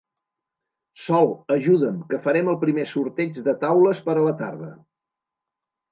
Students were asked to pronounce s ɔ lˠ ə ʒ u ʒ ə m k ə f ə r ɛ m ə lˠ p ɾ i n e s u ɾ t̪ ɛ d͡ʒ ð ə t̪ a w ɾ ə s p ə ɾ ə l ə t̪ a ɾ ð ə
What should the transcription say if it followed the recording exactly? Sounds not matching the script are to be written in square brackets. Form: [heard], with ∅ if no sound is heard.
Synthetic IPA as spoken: s ɔ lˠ ə ʒ u [ð] ə m k ə f ə [ɾ] ɛ m ə lˠ p ɾ i [m] e s u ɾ t̪ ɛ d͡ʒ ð ə t̪ a w [l] ə s p ə ɾ ə l ə t̪ a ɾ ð ə